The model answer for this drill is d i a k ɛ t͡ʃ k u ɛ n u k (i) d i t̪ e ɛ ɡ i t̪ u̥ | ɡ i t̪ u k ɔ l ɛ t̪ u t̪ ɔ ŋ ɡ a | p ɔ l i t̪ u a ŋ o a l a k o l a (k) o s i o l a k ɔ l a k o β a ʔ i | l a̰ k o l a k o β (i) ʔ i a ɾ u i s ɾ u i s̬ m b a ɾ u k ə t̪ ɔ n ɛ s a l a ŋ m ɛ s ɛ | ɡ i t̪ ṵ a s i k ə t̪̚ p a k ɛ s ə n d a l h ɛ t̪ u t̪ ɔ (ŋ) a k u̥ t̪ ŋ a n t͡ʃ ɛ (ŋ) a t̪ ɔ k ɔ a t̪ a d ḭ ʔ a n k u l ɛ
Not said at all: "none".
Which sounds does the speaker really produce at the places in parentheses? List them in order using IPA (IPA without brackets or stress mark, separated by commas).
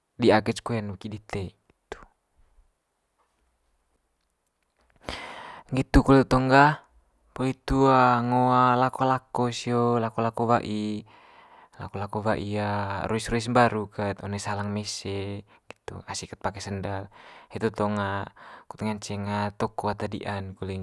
i, k, a, ŋ, ŋ